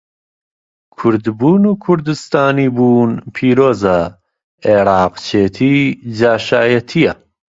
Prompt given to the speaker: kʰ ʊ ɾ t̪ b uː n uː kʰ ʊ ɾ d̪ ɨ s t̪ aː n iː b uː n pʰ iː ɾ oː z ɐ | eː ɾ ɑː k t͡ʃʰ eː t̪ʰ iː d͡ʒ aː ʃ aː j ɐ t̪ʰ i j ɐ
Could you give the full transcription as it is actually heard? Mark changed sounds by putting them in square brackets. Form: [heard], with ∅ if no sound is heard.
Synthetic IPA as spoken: kʰ ʊ ɾ [d̪] b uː n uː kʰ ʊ ɾ d̪ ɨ s t̪ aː n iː b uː n pʰ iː ɾ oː z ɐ | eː ɾ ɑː [q] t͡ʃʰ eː t̪ʰ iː d͡ʒ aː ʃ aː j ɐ t̪ʰ i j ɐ